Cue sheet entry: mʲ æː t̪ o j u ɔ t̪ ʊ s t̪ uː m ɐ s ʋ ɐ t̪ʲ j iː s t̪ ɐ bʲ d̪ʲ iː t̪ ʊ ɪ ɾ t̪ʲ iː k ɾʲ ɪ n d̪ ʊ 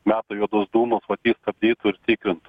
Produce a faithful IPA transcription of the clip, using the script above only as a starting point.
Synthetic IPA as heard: mʲ æː t̪ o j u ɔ d̪ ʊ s d̪ uː m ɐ s ʋ ɐ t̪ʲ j iː s t̪ ɐ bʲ d̪ʲ iː t̪ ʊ ɪ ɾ t̪ʲ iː k ɾʲ ɪ n t̪ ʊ